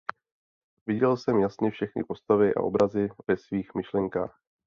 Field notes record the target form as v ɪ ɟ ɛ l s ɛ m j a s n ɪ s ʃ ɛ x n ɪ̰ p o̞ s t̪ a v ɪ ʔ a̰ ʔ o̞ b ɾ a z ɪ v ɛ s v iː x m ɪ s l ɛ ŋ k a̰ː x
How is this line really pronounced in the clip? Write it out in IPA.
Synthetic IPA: v ɪ ɟ ɛ l s ɛ m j a s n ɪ f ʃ ɛ x n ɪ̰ p o̞ s t̪ a v ɪ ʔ a̰ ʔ o̞ b ɾ a z ɪ v ɛ s v iː x m ɪ ʃ l ɛ ŋ k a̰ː x